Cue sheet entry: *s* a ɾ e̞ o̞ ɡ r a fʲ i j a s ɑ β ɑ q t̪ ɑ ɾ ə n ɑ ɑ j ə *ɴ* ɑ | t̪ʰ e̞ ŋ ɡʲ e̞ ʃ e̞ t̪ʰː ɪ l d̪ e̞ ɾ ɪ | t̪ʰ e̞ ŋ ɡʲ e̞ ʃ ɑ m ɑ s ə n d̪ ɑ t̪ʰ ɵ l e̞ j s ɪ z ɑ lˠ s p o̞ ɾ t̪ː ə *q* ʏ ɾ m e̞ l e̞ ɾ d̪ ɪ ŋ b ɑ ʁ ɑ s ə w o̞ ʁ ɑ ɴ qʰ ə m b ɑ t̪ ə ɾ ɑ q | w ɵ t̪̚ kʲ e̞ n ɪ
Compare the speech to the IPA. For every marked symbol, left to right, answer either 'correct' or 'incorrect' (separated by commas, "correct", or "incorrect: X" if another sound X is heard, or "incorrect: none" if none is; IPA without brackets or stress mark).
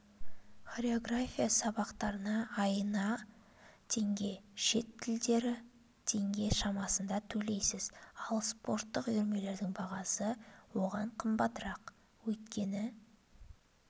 incorrect: χ, incorrect: n, correct